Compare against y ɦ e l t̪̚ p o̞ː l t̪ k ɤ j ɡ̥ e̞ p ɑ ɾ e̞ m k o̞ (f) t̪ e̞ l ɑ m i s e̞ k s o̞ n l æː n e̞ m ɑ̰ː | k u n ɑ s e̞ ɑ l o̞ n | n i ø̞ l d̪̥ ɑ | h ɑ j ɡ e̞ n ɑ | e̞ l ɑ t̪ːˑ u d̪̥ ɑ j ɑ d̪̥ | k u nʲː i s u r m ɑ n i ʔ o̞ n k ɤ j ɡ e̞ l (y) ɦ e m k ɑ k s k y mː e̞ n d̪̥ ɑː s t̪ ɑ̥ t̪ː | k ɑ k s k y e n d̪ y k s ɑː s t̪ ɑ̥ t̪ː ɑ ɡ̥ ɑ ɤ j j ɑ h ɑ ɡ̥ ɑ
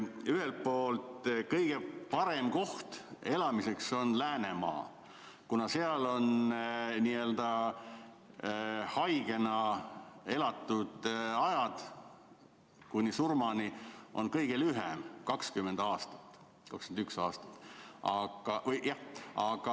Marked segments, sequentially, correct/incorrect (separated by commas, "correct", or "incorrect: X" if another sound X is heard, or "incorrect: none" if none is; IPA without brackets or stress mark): incorrect: h, correct